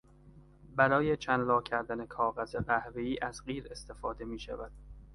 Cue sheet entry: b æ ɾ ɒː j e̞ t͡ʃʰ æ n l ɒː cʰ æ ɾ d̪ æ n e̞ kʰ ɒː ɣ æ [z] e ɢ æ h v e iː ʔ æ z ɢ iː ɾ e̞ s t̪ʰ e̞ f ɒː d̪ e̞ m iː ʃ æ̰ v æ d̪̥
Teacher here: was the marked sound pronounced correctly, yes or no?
yes